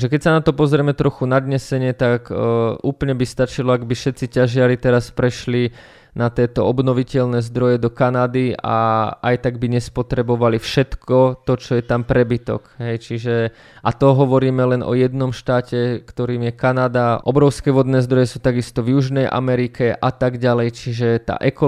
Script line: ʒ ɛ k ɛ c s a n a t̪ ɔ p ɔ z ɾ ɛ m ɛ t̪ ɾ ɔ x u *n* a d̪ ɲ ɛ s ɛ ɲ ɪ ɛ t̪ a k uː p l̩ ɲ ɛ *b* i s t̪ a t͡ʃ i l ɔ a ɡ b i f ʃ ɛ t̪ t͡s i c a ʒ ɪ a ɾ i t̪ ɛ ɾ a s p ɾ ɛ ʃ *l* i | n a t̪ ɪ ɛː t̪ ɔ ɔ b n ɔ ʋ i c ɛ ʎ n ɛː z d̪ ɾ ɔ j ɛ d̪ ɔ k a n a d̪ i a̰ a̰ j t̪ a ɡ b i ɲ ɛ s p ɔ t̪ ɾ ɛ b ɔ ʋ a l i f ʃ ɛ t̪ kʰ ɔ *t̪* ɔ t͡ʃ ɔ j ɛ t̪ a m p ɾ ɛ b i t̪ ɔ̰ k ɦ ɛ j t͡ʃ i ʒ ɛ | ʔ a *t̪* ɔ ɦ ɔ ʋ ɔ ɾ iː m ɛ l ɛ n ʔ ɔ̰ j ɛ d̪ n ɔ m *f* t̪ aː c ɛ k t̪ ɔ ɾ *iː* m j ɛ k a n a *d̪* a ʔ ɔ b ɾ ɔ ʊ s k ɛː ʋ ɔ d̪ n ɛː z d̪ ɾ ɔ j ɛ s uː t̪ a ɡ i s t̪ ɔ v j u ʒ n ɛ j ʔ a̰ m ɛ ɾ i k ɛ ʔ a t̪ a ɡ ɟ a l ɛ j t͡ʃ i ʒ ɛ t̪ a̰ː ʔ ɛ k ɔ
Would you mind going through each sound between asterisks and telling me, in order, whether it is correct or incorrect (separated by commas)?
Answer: correct, correct, correct, correct, correct, incorrect, correct, correct